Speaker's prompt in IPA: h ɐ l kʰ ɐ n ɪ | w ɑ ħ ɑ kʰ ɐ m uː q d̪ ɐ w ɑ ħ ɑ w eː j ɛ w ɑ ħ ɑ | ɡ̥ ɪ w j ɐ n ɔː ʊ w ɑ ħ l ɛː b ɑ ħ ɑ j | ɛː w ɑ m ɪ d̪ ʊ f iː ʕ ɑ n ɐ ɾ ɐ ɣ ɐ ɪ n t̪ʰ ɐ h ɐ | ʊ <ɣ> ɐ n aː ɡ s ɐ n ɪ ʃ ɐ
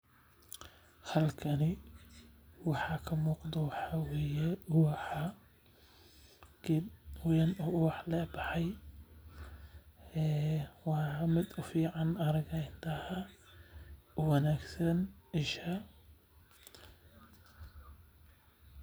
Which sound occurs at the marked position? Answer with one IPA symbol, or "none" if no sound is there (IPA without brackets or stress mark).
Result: w